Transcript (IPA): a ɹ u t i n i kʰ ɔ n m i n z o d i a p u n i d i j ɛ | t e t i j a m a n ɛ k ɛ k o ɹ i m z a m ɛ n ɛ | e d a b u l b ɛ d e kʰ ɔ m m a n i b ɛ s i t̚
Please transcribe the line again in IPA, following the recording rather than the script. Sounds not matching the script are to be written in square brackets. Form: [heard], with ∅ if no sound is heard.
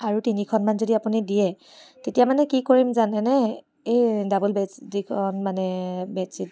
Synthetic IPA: a ɹ u t i n i kʰ ɔ n m [a] n z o d i a p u n i d i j ɛ | t e t i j a m a n ɛ k [i] k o ɹ i m z a [n] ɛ n ɛ | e d a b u l b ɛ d [i] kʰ ɔ [n] m a n [ɛ] b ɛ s i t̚